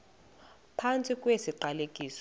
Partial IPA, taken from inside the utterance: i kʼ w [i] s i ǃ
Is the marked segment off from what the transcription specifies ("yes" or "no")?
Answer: yes